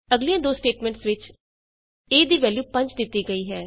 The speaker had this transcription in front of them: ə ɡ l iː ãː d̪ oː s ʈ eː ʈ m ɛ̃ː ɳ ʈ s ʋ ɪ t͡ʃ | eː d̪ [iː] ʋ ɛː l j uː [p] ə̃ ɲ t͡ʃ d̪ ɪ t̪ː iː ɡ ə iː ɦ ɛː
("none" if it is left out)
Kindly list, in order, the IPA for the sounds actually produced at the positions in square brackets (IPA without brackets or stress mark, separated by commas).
iː, p